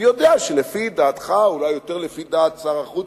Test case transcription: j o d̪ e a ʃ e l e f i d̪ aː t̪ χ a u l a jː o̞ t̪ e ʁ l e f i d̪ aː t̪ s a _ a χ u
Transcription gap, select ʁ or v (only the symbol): ʁ